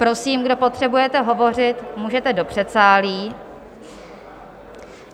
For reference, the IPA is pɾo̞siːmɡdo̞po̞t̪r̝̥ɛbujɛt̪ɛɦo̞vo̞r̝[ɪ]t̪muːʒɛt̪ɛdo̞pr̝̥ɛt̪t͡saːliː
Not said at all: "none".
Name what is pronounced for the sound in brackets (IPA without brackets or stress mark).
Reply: ɪ